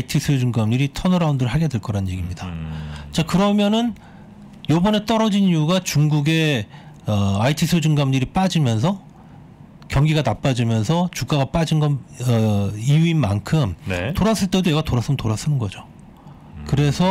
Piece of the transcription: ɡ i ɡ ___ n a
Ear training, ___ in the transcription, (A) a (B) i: A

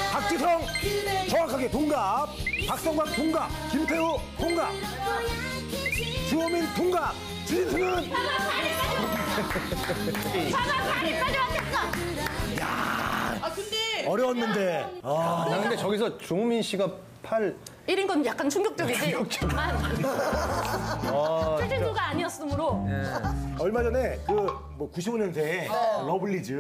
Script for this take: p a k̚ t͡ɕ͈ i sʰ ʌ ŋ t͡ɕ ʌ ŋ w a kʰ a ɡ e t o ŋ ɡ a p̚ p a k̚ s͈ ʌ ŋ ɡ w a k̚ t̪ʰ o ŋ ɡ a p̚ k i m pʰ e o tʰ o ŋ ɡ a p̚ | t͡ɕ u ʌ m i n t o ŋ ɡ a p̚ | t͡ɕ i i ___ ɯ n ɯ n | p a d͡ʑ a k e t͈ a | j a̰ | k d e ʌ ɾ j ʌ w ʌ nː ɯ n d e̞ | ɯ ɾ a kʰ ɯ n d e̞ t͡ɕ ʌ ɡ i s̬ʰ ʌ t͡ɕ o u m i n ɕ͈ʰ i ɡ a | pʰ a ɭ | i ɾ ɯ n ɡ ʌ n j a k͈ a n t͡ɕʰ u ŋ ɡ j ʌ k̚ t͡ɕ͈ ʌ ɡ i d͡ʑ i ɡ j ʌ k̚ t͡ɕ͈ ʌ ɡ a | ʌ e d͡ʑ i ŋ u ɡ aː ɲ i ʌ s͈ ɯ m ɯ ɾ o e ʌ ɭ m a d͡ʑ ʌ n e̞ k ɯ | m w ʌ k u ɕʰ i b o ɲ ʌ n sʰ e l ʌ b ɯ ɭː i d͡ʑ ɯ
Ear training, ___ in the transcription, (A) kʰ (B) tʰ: B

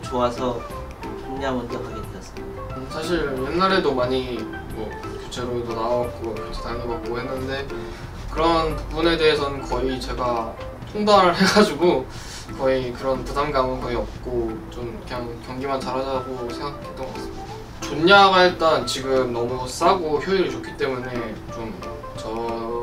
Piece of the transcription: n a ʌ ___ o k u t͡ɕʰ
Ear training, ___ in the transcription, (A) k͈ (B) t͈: A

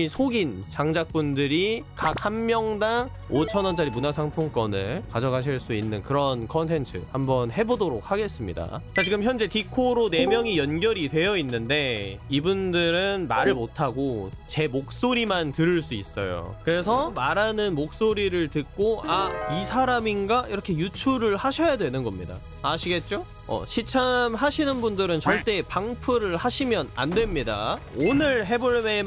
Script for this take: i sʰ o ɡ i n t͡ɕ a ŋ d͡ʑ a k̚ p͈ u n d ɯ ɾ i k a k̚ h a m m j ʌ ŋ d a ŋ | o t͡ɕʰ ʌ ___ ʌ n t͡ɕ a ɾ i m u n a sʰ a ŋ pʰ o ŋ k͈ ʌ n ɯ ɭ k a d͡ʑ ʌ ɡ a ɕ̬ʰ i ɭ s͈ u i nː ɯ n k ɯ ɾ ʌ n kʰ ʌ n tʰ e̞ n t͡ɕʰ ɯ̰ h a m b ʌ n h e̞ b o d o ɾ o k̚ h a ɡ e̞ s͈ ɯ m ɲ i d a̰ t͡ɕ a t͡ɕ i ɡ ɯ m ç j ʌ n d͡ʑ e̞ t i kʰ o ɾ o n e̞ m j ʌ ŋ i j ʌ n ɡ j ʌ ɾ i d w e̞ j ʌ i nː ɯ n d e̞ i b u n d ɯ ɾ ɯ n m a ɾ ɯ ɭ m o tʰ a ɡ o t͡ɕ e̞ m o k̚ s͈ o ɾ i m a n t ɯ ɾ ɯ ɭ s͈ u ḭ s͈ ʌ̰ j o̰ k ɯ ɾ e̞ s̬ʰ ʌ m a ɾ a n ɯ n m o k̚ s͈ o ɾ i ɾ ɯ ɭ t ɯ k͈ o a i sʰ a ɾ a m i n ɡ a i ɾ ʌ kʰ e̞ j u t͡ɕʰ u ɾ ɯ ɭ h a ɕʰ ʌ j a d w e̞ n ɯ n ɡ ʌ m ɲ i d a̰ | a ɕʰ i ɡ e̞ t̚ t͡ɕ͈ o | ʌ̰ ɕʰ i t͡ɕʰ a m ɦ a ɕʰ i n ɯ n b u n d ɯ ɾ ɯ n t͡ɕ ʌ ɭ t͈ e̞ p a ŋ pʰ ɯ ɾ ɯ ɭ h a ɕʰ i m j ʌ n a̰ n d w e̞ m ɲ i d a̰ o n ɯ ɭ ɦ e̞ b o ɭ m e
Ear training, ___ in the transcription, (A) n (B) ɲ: A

